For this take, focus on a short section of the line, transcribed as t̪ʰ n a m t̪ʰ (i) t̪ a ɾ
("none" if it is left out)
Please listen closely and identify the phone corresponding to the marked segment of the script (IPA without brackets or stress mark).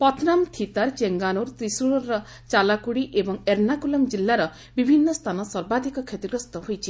i